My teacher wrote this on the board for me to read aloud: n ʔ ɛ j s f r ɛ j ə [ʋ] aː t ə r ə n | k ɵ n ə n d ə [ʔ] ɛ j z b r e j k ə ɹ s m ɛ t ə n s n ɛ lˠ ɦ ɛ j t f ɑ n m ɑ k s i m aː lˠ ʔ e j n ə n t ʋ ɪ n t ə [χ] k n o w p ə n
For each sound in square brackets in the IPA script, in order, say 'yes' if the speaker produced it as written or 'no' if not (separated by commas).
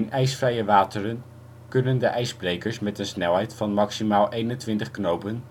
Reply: yes, yes, yes